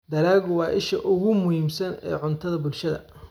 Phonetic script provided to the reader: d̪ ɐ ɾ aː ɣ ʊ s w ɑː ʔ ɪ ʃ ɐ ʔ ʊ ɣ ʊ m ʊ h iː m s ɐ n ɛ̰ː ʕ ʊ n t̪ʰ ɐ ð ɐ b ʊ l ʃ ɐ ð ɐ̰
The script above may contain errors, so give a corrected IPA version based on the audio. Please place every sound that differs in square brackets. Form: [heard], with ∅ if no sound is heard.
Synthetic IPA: d̪ ɐ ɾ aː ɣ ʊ [∅] w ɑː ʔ ɪ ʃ ɐ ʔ ʊ ɣ ʊ m ʊ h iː m s ɐ n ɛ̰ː ʕ ʊ n t̪ʰ ɐ ð ɐ b ʊ l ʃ ɐ ð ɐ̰